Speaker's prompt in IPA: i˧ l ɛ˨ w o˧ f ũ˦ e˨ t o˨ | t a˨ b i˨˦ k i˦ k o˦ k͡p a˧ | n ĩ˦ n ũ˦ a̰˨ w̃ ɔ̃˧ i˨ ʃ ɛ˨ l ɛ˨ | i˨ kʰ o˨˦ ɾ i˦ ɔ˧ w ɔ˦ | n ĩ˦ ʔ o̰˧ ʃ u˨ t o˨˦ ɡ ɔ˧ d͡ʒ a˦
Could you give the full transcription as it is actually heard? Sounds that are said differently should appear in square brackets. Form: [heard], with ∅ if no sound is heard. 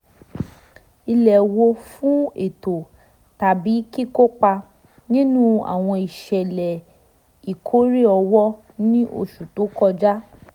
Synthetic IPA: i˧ l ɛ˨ w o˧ f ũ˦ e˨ t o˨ | t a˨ b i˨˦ k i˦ k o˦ k͡p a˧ | n ĩ˦ n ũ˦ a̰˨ w̃ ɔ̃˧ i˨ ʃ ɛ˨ l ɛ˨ | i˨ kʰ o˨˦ ɾ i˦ ɔ˧ w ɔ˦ | n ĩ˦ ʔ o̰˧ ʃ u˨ t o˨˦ [k] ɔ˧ d͡ʒ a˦